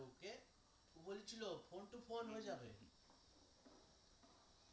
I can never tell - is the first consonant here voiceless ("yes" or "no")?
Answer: yes